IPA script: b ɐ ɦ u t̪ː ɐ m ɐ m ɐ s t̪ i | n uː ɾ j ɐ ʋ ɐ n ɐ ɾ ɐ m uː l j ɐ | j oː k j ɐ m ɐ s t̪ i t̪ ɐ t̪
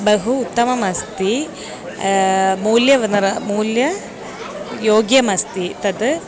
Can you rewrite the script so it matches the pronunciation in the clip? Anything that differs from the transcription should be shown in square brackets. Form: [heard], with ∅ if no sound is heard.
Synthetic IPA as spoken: b ɐ ɦ [uː] t̪ː ɐ m ɐ m ɐ s t̪ i | [m] uː [l] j ɐ ʋ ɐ n ɐ ɾ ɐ m uː l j ɐ | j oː [ɡ] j ɐ m ɐ s t̪ i t̪ ɐ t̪